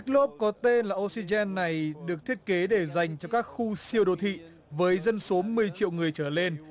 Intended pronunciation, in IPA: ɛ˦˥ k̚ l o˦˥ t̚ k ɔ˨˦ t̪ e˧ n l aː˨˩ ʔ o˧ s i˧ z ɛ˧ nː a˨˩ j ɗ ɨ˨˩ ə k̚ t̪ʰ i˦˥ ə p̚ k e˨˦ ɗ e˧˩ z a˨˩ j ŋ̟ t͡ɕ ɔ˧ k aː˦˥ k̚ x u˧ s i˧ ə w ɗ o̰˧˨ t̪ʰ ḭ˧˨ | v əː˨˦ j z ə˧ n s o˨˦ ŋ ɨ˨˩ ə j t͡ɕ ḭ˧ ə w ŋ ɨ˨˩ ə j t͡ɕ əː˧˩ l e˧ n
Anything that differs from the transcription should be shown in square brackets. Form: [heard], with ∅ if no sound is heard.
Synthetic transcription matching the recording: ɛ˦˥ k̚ l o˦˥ [p̚] k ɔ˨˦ t̪ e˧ n l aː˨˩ ʔ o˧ s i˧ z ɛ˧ nː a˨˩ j ɗ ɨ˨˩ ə k̚ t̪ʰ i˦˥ ə [t̚] k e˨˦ ɗ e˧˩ z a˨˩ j ŋ̟ t͡ɕ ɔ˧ k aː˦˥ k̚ x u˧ s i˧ ə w ɗ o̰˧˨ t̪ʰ ḭ˧˨ | v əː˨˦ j z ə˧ n s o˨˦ [m] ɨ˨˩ ə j t͡ɕ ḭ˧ ə w ŋ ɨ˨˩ ə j t͡ɕ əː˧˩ l e˧ n